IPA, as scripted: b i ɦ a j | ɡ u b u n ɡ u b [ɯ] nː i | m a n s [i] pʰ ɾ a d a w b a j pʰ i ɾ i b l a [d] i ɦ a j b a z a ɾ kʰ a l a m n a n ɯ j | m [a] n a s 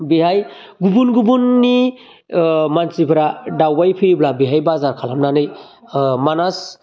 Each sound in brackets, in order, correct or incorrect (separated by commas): incorrect, correct, incorrect, correct